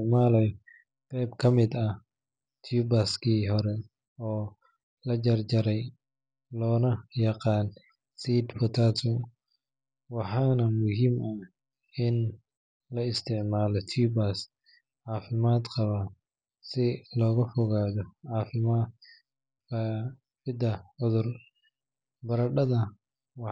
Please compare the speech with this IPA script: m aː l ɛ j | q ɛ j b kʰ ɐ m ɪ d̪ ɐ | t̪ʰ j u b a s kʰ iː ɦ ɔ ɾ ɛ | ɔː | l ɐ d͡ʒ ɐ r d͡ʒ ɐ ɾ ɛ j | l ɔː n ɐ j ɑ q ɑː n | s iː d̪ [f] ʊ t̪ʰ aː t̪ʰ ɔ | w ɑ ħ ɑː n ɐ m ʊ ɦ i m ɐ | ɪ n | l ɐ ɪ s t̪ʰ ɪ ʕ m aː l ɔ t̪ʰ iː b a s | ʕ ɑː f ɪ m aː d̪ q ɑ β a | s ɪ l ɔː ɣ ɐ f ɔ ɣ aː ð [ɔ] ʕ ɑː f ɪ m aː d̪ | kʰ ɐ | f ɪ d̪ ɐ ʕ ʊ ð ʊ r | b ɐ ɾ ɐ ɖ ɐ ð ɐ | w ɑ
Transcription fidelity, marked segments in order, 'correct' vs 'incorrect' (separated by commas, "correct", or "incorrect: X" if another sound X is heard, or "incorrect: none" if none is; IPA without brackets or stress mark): correct, correct